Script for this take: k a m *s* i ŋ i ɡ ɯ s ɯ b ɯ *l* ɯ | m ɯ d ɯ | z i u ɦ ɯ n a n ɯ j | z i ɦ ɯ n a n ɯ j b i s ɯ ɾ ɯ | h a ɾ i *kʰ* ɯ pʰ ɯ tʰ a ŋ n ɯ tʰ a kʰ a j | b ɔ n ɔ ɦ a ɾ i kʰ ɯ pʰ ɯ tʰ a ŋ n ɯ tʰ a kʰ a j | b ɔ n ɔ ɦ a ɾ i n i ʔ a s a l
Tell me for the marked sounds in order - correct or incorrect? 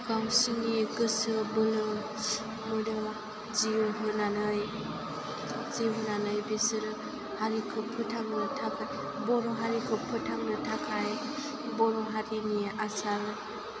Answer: correct, correct, correct

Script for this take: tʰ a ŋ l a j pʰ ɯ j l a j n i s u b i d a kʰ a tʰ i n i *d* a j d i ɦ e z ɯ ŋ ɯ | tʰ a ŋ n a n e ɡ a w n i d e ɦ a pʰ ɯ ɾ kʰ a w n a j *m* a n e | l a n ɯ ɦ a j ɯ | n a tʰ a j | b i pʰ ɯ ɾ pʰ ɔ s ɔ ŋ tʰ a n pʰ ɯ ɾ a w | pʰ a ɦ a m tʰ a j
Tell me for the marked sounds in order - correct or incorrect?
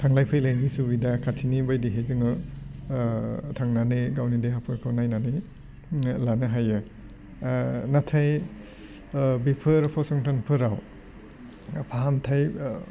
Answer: incorrect: b, incorrect: n

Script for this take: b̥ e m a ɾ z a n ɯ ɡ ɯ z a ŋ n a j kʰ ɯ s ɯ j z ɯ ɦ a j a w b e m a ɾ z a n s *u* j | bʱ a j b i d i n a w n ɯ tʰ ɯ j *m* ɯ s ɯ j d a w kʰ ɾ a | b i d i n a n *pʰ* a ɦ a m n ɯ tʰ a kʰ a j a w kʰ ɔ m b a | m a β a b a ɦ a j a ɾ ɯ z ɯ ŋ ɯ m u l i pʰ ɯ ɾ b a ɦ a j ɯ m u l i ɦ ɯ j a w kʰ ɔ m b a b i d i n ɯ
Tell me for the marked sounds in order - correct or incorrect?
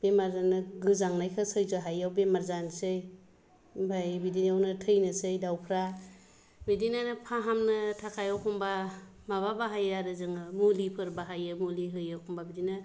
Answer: incorrect: ɯ, incorrect: n, correct

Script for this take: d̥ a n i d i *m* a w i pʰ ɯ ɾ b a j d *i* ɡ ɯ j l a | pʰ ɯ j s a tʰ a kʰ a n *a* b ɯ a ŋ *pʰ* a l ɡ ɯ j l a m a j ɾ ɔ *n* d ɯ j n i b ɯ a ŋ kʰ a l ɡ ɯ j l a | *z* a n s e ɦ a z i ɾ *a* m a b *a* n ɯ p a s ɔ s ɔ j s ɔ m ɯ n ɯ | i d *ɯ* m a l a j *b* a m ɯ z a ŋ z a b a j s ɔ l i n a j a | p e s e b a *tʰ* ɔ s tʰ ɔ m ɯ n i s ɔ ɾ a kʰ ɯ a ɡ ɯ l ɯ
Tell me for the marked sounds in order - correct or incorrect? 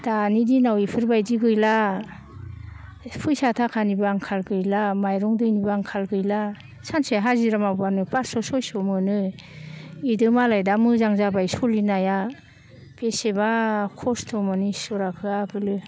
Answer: incorrect: n, correct, incorrect: i, incorrect: kʰ, incorrect: ŋ, incorrect: s, correct, correct, correct, incorrect: d, incorrect: kʰ

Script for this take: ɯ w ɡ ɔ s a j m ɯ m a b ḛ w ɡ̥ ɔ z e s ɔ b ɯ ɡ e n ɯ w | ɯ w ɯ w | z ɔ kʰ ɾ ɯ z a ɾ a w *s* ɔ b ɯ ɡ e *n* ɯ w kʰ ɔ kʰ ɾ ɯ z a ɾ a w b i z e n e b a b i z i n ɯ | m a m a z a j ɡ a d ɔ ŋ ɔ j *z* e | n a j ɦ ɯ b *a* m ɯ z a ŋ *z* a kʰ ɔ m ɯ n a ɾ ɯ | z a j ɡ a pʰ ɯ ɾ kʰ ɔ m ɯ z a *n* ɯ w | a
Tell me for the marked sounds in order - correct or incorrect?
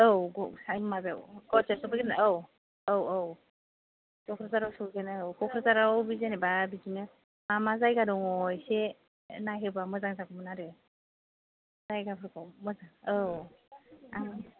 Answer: correct, correct, incorrect: s, correct, correct, incorrect: ŋ

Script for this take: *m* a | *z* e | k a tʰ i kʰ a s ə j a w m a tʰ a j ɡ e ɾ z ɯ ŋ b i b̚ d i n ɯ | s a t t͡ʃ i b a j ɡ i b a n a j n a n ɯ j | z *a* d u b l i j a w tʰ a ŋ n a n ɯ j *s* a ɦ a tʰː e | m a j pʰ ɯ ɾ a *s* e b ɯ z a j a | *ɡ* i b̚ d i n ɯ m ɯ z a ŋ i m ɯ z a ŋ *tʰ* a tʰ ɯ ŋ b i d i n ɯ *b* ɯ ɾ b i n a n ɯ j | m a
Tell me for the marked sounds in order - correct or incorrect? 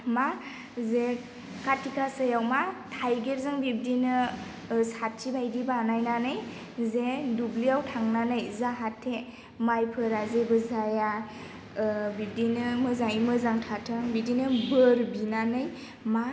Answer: correct, correct, incorrect: e, incorrect: z, incorrect: z, incorrect: b, correct, correct

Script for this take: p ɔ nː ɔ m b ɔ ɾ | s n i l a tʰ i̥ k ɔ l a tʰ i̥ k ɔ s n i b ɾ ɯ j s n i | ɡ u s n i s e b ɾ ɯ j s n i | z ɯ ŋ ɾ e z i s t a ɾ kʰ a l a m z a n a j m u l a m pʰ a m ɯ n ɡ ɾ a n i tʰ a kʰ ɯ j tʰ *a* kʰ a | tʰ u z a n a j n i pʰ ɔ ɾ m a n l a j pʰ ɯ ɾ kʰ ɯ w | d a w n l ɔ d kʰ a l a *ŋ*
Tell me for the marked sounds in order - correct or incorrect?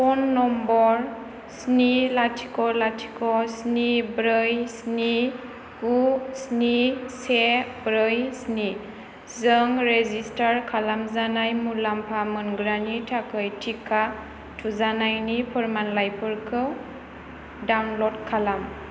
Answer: incorrect: i, incorrect: m

